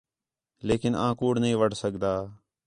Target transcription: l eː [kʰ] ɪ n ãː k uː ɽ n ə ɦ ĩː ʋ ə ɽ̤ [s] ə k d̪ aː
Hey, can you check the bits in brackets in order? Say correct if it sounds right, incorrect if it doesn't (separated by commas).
incorrect, correct